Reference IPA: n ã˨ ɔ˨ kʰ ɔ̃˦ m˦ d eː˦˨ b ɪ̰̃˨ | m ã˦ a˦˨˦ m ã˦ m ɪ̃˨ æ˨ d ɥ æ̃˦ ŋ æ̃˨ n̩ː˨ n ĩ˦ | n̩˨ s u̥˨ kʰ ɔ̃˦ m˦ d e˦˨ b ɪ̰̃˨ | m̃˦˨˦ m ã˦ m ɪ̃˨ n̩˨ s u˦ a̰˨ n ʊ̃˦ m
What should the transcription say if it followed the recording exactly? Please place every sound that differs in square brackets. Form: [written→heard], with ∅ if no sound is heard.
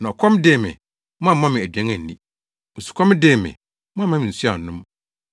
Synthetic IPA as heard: n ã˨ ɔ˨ kʰ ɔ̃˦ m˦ d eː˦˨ [b→m] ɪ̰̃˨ | m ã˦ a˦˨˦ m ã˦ m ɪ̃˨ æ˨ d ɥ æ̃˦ ŋ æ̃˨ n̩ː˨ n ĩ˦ | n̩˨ s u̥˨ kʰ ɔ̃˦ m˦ d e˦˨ [b→m] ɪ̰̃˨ | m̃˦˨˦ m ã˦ m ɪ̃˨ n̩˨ s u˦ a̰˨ n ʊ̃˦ m